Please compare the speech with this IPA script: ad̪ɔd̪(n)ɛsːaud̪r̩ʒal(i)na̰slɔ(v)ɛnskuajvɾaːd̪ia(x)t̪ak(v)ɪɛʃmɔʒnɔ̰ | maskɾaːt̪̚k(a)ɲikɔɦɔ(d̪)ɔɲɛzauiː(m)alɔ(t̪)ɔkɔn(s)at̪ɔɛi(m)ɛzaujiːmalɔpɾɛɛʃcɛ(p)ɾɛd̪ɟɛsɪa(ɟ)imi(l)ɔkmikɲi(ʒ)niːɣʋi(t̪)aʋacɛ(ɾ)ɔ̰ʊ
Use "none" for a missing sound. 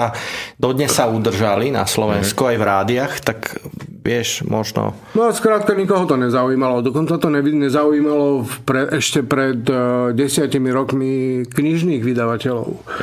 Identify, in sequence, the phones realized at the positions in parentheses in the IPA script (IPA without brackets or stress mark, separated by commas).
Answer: ɲ, i, ʋ, x, ʋ, a, t̪, m, d̪, t͡s, ɲ, p, c, ɾ, ʒ, d̪, l